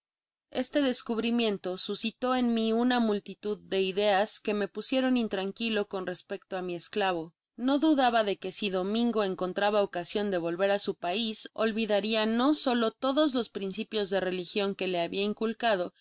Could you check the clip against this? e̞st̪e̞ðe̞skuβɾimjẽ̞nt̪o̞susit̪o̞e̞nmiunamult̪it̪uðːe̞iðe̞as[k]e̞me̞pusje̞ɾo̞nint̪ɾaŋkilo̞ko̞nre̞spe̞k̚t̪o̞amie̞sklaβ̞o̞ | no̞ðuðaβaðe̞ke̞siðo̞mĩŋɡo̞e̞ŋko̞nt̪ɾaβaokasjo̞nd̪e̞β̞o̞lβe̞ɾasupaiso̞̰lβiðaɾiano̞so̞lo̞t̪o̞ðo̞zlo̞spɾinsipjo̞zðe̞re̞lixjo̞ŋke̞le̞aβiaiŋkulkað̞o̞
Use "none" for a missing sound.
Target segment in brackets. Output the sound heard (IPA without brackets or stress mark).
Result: k